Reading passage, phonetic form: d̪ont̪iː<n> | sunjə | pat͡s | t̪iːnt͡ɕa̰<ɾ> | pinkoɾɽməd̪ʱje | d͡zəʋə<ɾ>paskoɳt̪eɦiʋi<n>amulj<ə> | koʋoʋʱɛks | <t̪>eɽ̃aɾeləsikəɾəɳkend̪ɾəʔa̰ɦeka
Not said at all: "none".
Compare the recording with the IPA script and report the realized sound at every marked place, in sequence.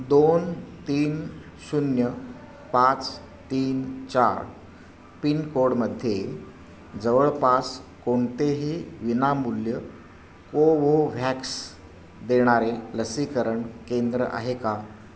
n, ɾ, ɭ, n, ə, d̪

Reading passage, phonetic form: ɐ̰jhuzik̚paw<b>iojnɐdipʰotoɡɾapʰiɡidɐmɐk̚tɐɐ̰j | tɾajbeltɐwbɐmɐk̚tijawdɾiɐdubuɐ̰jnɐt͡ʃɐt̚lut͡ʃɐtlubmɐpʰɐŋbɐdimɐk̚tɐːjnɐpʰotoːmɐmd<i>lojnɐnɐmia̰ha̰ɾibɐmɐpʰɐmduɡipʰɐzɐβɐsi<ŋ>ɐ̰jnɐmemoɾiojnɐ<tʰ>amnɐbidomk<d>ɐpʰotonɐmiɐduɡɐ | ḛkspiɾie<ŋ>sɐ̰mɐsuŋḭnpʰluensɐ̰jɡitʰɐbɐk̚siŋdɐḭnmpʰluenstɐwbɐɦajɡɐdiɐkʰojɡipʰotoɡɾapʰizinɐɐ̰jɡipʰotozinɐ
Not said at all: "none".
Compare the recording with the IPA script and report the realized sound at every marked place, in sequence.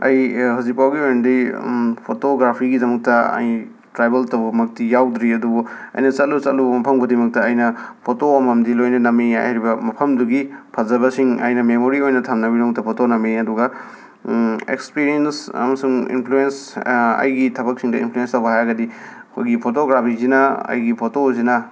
ɡ, i, ŋ, tʰ, t, n

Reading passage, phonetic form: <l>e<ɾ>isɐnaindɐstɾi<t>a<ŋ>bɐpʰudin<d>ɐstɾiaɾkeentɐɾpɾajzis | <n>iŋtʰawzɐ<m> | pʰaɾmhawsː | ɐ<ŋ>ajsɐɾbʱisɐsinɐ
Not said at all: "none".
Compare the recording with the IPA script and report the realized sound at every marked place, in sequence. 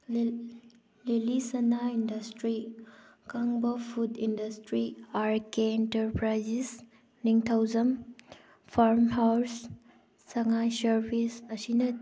l, l, k, ŋ, d, n, m, ŋ

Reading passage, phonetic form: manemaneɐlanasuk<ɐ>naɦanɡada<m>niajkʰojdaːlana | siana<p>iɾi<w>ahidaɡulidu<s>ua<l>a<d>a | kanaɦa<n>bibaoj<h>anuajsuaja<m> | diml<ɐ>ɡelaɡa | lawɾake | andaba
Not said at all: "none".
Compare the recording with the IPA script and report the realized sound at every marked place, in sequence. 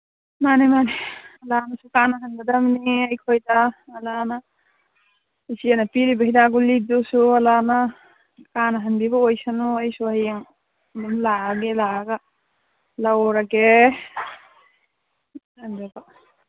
a, m, p, b, s, l, n, n, s, ŋ, a

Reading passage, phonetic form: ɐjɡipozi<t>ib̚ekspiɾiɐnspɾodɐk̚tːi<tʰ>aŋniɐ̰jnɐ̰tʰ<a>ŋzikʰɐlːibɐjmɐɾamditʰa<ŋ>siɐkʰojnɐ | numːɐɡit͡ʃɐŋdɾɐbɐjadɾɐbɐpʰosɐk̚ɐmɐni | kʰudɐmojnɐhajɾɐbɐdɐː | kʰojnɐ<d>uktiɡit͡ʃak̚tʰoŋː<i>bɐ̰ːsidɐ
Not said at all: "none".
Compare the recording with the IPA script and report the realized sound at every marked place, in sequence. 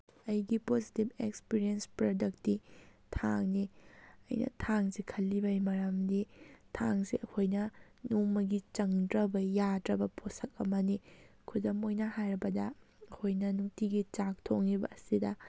t, tʰ, a, ŋ, n, i

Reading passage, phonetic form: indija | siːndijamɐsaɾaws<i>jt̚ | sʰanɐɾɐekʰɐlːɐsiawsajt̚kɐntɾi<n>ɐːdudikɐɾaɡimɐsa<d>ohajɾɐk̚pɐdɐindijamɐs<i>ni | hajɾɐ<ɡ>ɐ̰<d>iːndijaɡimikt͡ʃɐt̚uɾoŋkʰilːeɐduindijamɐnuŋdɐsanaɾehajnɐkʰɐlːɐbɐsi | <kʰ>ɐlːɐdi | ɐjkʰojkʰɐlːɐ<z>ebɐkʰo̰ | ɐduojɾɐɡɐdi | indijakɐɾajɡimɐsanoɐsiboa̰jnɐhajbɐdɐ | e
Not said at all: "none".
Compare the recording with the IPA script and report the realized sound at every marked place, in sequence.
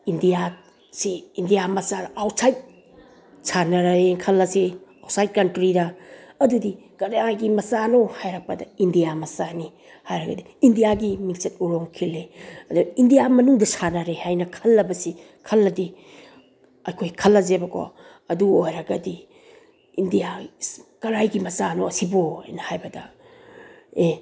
a, d, n, a, ɡ, d, kʰ, z

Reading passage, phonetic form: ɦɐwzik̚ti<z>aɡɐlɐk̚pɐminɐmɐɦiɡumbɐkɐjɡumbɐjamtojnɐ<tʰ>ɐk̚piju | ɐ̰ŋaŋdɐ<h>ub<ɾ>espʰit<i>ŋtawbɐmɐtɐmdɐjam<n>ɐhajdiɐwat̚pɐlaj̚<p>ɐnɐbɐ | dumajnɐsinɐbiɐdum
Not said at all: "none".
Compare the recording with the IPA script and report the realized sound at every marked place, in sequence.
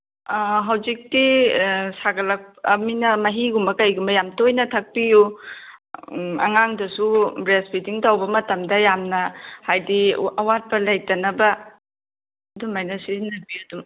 s, tʰ, s, ɾ, i, n, t

